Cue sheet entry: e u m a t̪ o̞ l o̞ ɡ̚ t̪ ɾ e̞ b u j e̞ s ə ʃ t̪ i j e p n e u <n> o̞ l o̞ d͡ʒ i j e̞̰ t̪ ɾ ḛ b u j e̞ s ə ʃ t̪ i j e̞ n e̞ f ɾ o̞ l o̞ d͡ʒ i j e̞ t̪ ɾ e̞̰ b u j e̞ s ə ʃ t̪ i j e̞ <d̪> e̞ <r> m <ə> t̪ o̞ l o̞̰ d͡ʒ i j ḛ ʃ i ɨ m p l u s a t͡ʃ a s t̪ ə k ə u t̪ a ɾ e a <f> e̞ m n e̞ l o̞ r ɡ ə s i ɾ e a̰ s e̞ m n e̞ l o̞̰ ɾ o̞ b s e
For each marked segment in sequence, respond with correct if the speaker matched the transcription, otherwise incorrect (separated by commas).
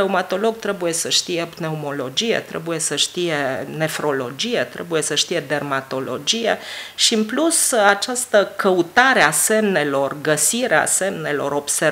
incorrect, correct, correct, incorrect, incorrect